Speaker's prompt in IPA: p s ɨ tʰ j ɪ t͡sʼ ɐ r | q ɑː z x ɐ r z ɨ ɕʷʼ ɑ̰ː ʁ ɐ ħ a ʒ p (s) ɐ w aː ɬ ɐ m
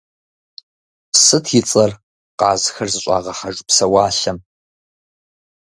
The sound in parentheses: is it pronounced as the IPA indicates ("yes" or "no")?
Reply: yes